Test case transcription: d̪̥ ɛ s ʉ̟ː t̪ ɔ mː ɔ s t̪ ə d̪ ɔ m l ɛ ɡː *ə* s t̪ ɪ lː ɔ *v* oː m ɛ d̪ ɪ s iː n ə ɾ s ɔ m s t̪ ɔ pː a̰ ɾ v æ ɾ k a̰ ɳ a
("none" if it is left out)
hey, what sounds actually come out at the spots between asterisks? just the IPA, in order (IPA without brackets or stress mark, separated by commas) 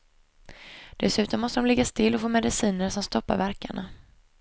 a, f